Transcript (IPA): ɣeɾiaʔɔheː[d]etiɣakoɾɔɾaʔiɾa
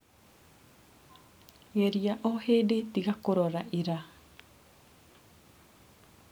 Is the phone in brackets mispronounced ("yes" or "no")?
no